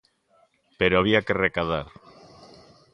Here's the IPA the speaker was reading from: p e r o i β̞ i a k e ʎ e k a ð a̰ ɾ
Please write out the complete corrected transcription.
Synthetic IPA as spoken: p e ɾ o a β̞ i a k e r e k a ð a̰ ɾ

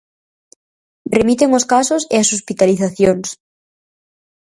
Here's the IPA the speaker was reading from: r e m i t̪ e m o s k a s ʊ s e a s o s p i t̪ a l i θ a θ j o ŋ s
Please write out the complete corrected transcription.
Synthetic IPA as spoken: r e m i t̪ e ŋ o s k a s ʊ s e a s o s p i t̪ a l i θ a θ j o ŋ s

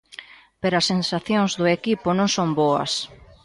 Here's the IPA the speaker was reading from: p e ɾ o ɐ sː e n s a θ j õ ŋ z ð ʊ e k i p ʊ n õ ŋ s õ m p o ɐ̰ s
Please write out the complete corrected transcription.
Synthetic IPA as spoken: p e ɾ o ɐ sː e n s a θ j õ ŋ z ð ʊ e k i p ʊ n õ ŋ s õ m b o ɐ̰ s

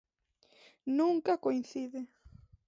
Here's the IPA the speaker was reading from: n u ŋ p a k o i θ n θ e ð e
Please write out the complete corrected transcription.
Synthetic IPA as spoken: n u ŋ k a k o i n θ i ð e

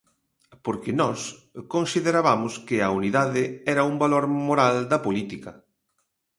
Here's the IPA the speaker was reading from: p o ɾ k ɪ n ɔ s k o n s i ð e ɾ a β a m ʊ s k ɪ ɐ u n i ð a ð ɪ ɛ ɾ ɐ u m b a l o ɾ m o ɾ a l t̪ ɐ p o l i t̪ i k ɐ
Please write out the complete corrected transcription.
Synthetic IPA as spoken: p o ɾ k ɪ n ɔ s k o n s i ð e ɾ a β a m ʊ s k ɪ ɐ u n i ð a ð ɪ ɛ ɾ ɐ u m b a l o ɾ m o ɾ a l d̪ ɐ p o l i t̪ i k ɐ

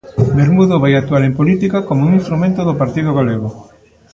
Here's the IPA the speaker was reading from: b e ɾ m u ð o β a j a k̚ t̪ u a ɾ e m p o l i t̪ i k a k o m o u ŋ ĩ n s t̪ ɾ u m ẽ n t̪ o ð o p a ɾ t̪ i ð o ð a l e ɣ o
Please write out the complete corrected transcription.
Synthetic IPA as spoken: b e ɾ m u ð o β a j a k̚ t̪ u a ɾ e m p o l i t̪ i k a k o m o u ŋ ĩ n s t̪ ɾ u m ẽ n t̪ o ð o p a ɾ t̪ i ð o ɣ a l e ɣ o

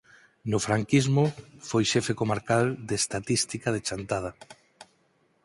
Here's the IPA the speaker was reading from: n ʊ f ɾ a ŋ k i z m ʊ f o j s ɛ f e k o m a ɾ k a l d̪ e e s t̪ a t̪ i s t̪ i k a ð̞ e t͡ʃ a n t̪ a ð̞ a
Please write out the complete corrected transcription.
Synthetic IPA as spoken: n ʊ f ɾ a ŋ k i z m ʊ f o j ʃ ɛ f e k o m a ɾ k a l d̪ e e s t̪ a t̪ i s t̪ i k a ð̞ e t͡ʃ a n t̪ a ð̞ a

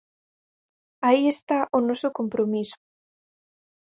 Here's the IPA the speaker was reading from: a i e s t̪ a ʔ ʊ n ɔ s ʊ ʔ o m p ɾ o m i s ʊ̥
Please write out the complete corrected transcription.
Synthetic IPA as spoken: a i e s t̪ a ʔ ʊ n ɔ s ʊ k o m p ɾ o m i s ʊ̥

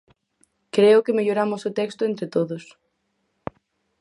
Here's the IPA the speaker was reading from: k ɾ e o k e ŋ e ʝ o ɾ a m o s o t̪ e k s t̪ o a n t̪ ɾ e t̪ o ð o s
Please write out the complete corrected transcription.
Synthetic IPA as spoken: k ɾ e o k e m e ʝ o ɾ a m o s o t̪ e k s t̪ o e n t̪ ɾ e t̪ o ð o s

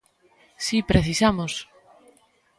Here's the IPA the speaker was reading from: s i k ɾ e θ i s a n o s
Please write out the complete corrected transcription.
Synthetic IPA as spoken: s i p ɾ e θ i s a m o s

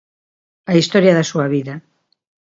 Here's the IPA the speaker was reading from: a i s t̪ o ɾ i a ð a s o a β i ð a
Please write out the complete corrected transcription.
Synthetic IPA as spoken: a i s t̪ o ɾ j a ð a s u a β i ð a

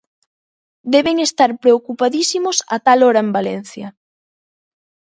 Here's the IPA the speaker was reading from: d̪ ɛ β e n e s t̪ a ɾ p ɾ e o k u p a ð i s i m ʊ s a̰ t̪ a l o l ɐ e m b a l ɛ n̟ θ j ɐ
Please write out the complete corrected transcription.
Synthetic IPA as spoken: d̪ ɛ β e ŋ e s t̪ a ɾ p ɾ e o k u p a ð i s i m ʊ s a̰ t̪ a l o ɾ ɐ e m b a l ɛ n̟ θ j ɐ

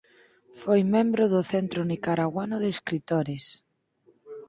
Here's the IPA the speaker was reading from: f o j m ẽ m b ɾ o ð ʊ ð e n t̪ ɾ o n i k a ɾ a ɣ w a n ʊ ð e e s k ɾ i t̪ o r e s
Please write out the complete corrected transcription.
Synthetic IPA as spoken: f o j m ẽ m b ɾ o ð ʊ θ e n t̪ ɾ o n i k a ɾ a ɣ w a n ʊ ð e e s k ɾ i t̪ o ɾ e s

